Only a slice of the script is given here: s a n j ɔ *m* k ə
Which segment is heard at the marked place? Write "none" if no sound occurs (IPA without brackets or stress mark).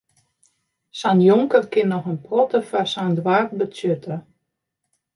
ŋ